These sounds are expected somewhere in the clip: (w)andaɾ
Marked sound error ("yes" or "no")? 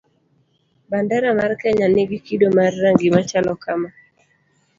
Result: yes